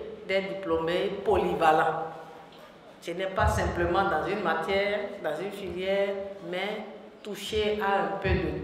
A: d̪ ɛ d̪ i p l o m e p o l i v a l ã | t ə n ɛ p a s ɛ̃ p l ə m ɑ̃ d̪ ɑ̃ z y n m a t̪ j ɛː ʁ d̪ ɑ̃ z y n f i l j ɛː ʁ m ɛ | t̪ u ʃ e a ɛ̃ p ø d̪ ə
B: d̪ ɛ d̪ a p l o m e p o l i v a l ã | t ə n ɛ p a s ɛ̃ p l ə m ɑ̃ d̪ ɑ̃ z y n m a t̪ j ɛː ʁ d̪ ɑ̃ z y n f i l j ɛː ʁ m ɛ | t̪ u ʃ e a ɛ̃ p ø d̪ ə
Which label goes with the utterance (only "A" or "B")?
A